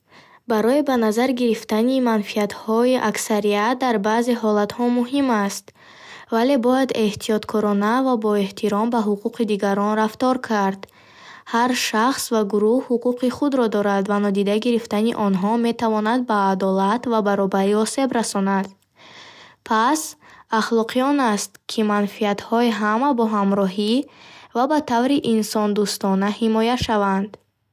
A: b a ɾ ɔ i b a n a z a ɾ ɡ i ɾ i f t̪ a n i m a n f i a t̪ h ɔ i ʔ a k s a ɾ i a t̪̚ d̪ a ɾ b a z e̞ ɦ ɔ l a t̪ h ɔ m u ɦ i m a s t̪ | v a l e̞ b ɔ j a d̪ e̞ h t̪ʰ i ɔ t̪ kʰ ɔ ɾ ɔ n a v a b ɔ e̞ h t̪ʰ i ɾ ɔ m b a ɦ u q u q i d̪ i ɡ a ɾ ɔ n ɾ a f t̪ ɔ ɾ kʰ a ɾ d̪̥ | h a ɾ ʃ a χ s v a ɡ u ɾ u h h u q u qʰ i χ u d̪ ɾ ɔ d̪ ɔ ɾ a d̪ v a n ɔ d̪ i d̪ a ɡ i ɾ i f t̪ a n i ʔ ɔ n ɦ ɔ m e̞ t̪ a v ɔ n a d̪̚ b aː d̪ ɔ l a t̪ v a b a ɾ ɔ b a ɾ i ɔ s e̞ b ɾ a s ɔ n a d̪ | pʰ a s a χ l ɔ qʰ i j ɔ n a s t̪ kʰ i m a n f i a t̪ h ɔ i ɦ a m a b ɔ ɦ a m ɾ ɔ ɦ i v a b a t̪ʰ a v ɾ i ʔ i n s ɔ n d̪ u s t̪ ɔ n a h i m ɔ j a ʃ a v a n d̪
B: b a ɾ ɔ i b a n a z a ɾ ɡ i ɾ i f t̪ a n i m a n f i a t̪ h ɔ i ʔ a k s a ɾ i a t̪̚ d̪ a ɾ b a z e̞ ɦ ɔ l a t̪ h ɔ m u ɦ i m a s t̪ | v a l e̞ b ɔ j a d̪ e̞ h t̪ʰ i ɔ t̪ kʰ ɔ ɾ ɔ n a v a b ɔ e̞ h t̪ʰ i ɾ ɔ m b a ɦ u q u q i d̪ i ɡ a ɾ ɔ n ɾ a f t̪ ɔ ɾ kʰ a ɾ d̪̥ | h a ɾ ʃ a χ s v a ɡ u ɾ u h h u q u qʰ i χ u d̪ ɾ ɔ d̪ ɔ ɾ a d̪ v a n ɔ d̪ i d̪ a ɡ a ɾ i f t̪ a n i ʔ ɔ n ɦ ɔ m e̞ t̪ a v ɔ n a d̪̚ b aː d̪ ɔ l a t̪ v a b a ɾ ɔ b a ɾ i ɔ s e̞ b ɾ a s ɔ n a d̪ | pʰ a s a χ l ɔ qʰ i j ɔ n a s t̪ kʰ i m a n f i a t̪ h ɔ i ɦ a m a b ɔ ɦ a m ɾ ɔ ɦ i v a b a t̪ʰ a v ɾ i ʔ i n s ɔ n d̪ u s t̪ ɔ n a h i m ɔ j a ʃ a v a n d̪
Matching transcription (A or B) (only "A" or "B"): A